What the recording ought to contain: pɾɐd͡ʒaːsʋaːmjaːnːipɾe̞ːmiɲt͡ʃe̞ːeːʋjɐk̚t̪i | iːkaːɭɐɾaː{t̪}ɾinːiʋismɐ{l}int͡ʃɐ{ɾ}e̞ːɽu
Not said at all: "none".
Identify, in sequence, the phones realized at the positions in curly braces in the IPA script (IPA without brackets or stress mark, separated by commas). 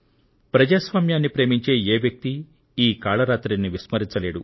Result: t̪, ɾ, l